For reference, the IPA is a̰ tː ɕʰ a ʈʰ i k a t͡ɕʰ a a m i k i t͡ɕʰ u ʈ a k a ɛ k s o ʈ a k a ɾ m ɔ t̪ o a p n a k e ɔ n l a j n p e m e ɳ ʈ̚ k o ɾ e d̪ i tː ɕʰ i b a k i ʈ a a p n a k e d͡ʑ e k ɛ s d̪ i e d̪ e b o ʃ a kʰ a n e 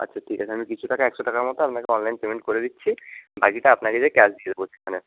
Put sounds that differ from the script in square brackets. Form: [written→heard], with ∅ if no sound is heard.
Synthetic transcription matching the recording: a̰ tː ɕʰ a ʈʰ i k a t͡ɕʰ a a m i k i t͡ɕʰ u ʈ a k a ɛ k [s→ʃ] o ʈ a k a ɾ m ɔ t̪ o a p n a k e ɔ n l a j n p e m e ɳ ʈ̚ k o ɾ e d̪ i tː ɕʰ i b a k i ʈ a a p n a k e d͡ʑ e k ɛ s d̪ i e d̪ e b o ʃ [a→e] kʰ a n e